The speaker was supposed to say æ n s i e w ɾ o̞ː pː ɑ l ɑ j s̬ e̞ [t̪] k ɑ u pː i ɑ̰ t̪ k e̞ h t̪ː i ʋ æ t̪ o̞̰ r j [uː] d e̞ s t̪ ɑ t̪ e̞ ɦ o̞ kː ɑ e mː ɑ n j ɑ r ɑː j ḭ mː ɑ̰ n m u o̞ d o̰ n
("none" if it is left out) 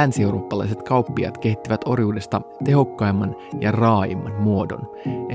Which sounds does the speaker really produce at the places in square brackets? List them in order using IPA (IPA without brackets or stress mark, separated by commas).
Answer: t̪, uː